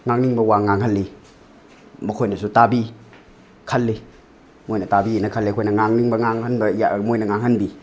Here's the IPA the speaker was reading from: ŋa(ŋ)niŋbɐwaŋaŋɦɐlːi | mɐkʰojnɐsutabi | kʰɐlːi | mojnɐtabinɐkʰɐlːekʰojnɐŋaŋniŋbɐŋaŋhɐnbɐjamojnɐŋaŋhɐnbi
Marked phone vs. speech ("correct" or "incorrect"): correct